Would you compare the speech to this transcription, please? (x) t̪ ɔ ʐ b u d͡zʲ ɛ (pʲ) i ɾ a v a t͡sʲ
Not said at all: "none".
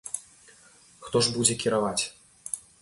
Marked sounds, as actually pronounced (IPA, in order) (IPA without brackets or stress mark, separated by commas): x, kʲ